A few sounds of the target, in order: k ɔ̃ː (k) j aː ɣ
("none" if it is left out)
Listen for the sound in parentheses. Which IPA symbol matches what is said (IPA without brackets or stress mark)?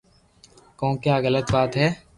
k